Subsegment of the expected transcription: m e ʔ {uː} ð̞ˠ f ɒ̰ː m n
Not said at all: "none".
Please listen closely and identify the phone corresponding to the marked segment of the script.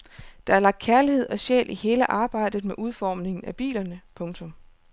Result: u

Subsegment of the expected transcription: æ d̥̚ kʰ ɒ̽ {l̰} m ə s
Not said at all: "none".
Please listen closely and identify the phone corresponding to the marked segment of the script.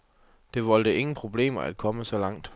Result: none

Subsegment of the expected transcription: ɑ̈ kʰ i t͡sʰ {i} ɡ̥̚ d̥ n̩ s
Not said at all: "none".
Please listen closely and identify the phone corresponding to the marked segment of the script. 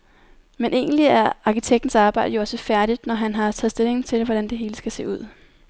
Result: e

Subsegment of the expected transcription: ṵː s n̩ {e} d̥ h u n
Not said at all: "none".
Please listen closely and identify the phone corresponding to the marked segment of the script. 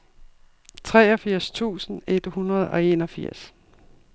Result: e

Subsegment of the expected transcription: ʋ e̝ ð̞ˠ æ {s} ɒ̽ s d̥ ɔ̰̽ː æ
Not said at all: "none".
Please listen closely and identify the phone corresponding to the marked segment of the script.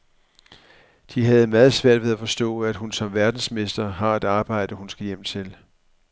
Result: f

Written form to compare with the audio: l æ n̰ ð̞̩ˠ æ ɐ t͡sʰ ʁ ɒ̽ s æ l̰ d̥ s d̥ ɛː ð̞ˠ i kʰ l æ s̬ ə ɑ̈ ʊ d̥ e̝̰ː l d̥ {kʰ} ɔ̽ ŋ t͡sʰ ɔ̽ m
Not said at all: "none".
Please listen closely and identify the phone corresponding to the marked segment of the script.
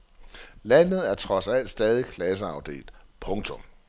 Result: pʰ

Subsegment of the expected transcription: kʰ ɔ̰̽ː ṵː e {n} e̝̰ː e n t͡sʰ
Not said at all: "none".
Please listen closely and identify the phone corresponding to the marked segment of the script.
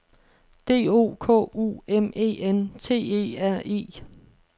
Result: m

